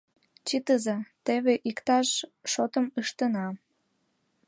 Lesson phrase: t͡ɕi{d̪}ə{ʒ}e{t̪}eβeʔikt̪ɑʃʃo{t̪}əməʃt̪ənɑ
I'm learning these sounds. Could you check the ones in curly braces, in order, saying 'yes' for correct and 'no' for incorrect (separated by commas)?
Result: no, no, yes, yes